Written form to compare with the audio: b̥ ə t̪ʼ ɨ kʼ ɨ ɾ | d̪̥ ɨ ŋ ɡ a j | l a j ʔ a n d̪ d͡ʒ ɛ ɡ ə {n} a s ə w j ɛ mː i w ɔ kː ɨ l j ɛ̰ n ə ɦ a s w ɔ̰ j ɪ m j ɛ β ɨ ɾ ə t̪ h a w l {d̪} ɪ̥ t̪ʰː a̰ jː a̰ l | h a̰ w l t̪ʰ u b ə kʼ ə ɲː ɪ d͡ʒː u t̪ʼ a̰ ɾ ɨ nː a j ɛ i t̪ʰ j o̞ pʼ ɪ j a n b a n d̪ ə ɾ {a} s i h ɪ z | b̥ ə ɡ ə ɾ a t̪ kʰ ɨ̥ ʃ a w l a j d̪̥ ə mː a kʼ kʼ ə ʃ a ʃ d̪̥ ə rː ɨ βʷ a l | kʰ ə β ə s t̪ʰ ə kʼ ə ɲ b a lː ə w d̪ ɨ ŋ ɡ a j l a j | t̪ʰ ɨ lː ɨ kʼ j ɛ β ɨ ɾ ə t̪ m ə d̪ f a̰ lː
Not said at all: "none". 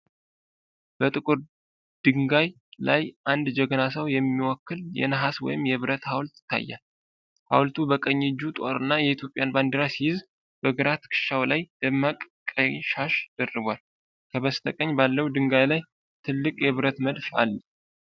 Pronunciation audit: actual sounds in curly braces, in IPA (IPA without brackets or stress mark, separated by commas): n, t̪, a